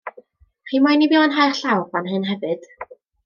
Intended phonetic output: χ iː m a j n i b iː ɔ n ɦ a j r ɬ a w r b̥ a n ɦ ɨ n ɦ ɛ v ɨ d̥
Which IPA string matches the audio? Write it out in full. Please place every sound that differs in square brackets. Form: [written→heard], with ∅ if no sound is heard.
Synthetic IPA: χ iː m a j n i b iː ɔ n ɦ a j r ɬ a w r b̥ a n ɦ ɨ n ɦ ɛ v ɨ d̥